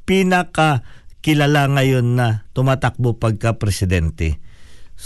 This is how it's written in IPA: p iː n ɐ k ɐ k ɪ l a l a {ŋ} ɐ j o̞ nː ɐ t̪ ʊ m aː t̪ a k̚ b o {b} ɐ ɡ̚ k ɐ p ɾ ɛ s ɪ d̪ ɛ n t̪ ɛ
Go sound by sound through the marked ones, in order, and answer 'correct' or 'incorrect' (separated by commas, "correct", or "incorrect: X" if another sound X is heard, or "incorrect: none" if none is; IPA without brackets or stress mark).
correct, incorrect: p